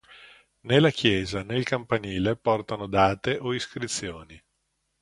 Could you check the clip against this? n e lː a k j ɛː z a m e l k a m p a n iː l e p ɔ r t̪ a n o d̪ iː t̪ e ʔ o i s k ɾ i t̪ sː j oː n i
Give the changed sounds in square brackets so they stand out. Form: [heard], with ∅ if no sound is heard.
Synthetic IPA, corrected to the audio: n e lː a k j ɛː z a [n] e l k a m p a n iː l e p ɔ r t̪ a n o d̪ [aː] t̪ e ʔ o i s k ɾ i t̪ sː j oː n i